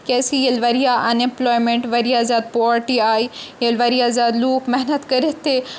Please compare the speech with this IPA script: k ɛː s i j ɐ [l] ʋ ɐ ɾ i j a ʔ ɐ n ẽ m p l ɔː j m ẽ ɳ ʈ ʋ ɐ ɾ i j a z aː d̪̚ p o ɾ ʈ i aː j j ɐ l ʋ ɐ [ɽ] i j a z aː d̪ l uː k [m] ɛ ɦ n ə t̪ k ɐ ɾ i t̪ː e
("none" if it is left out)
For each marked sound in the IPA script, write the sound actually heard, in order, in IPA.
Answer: l, ɾ, m

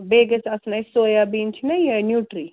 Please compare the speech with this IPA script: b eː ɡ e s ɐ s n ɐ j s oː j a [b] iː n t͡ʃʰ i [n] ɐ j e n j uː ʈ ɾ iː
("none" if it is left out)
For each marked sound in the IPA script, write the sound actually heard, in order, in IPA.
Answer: b, n

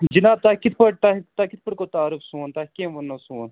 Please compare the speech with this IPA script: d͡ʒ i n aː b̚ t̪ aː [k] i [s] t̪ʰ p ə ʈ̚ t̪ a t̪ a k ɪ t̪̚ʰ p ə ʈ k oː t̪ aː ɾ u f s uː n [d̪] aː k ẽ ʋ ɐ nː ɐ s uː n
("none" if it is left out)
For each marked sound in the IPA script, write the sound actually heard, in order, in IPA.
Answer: k, none, t̪

